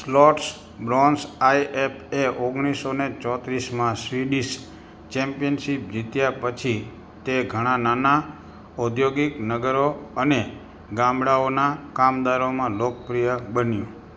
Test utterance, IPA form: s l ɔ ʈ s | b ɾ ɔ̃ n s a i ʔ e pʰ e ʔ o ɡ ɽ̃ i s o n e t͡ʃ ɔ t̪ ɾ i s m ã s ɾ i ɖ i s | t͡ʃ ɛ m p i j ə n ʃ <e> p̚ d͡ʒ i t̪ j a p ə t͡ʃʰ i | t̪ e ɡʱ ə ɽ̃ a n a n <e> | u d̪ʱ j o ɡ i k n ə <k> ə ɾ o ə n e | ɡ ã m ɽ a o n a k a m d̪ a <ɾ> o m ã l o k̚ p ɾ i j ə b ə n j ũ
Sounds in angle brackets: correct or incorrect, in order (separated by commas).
incorrect, incorrect, incorrect, correct